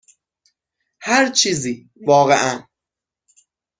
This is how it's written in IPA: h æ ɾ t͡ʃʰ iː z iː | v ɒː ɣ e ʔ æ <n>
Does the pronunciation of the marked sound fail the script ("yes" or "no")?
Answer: no